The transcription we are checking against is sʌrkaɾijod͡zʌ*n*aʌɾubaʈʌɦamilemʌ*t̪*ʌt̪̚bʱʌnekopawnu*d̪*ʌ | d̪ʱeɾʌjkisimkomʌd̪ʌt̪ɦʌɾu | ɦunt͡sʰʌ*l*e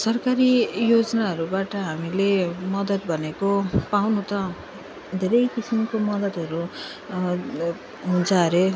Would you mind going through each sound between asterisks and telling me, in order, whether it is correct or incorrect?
correct, incorrect: d̪, incorrect: t̪, incorrect: ɾ

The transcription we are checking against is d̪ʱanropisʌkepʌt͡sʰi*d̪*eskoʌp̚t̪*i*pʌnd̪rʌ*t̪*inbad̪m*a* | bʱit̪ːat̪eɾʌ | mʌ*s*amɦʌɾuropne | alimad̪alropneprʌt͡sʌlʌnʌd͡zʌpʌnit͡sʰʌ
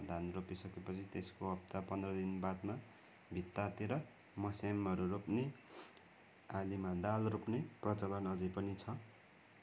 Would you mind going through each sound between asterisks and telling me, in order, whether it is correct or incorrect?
incorrect: t̪, incorrect: a, incorrect: d̪, correct, correct

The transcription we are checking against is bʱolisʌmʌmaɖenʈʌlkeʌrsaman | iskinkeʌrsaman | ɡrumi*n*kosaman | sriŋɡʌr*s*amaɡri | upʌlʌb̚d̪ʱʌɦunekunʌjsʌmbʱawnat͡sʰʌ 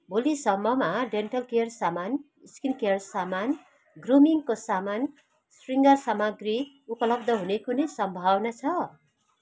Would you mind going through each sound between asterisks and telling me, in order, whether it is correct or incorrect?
incorrect: ŋ, correct

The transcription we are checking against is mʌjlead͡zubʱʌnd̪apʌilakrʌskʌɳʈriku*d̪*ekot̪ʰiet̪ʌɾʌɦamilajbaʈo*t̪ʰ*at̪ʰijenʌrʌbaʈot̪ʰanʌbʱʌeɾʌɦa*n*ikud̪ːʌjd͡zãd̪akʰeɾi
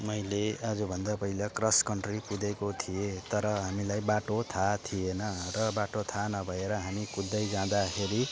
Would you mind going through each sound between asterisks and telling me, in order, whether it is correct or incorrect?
correct, correct, incorrect: m

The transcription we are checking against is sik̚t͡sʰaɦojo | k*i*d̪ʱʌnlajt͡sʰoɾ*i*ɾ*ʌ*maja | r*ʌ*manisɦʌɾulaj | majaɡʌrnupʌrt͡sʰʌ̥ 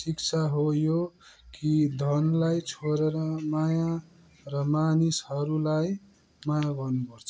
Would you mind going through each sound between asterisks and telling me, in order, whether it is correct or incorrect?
correct, incorrect: e, correct, correct

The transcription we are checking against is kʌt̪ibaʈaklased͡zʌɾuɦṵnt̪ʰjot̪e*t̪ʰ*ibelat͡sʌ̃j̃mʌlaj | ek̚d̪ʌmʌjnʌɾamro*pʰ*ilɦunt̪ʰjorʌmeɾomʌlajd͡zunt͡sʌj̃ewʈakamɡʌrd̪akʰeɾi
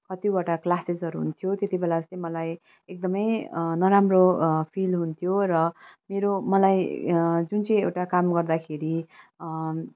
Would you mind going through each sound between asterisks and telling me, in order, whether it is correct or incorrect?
incorrect: t̪, correct

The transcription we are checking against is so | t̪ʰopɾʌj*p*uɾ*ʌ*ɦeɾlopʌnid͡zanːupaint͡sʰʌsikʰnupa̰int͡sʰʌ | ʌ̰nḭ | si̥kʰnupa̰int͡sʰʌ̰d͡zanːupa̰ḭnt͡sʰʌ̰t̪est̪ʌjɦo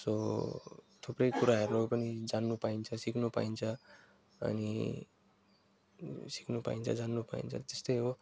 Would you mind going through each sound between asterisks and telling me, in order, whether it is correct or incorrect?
incorrect: k, incorrect: a

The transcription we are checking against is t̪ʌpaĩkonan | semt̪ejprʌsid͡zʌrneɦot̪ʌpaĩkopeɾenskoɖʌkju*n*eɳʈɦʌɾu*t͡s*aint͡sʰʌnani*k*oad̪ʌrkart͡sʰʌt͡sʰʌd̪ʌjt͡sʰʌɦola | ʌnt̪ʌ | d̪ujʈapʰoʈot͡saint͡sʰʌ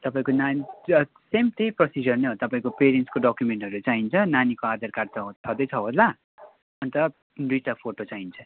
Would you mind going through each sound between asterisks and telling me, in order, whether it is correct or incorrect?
incorrect: m, correct, correct

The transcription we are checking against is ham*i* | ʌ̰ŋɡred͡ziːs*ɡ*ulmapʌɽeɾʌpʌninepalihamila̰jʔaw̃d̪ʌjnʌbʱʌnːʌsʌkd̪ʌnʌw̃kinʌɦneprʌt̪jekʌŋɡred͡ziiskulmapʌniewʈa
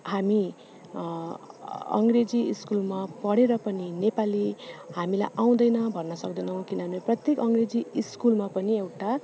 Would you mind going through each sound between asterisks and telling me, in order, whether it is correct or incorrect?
correct, incorrect: k

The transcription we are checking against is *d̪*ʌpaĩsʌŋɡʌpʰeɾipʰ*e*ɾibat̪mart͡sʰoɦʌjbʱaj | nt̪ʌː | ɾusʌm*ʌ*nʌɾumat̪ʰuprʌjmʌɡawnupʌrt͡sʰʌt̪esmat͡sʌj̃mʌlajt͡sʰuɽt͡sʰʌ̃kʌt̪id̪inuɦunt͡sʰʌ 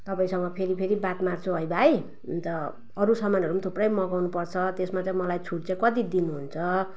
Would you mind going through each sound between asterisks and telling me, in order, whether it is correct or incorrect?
incorrect: t̪, correct, incorrect: a

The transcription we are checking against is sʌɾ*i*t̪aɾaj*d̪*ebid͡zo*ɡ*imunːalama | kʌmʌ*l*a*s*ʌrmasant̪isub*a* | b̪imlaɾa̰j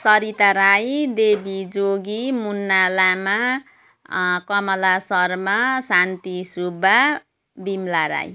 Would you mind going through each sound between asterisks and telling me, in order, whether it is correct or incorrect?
correct, correct, correct, correct, correct, correct

